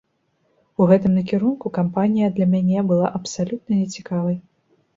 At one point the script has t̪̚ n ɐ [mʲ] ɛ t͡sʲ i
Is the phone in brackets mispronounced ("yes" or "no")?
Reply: yes